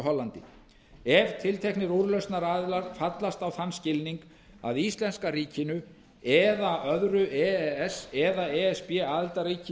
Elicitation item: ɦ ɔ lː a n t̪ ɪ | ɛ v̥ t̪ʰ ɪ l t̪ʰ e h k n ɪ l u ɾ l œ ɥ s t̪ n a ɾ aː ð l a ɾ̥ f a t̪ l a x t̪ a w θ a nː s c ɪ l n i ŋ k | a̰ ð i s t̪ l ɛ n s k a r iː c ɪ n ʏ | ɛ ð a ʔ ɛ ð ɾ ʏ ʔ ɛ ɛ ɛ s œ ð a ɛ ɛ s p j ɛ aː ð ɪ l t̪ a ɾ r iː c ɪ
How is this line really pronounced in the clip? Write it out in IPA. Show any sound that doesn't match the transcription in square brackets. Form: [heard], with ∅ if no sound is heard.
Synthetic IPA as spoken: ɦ ɔ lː a n t̪ ɪ | ɛ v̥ t̪ʰ ɪ l t̪ʰ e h k n ɪ [ɾ] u ɾ l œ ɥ s t̪ n a ɾ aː ð l a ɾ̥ f a t̪ l a [s] t̪ a w θ a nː s c ɪ l n i ŋ k | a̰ ð i s t̪ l ɛ n s k a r iː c ɪ n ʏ | ɛ ð a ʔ [œ] ð ɾ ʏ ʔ ɛ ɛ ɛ s [ɛ] ð a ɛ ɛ s p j ɛ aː ð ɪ l t̪ a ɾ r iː c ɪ